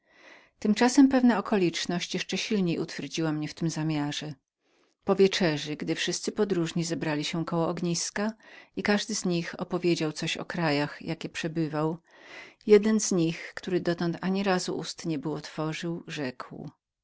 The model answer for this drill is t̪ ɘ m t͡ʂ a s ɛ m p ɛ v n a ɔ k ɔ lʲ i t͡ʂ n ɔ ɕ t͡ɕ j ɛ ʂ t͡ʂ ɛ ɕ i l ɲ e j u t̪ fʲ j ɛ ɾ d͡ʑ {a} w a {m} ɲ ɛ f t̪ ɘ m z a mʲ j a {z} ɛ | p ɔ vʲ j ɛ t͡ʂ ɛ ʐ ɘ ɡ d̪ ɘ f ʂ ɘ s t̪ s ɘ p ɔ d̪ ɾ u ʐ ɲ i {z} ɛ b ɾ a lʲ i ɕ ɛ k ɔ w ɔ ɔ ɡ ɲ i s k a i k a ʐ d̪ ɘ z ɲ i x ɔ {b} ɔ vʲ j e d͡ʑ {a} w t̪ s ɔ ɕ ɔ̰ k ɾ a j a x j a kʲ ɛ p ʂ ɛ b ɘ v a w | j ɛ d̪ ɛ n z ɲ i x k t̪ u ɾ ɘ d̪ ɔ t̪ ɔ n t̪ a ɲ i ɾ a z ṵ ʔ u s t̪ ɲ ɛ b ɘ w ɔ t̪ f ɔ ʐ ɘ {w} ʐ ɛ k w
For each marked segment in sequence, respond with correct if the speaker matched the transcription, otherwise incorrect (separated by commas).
incorrect, correct, incorrect, correct, incorrect, correct, correct